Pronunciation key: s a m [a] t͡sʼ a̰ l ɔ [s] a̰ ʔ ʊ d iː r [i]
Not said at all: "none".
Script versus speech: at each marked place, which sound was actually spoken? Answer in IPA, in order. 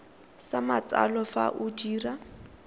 a, f, a

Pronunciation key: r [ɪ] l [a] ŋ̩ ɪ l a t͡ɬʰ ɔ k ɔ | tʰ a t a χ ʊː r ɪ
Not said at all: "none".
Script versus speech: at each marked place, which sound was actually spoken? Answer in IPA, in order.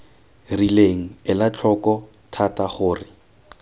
i, e

